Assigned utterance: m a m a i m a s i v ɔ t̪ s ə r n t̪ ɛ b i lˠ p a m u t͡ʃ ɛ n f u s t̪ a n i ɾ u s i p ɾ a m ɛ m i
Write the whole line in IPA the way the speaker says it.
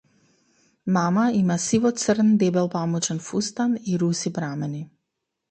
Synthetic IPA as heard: m a m a i m a s i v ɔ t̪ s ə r n d̪ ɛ b ɛ lˠ p a m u t͡ʃ ɛ n f u s t̪ a n i ɾ u s i p ɾ a m ɛ n i